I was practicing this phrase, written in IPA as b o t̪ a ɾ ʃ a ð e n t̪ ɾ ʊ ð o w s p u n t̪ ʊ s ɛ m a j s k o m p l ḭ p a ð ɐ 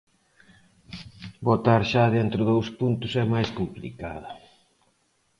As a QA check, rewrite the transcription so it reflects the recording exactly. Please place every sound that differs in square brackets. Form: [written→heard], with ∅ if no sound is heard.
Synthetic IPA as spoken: b o t̪ a ɾ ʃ a ð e n t̪ ɾ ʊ ð o w s p u n t̪ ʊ s ɛ m a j s k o m p l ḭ [p→k] a ð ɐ